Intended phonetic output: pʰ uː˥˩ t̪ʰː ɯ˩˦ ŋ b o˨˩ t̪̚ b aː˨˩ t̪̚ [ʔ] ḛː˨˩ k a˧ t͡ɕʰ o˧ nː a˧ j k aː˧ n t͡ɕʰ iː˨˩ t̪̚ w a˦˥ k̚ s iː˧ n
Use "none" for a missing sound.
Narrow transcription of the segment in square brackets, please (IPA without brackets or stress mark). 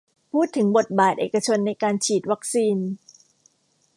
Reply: ʔ